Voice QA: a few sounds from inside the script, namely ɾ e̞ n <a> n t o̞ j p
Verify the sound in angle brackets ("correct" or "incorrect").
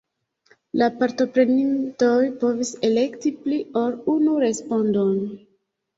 incorrect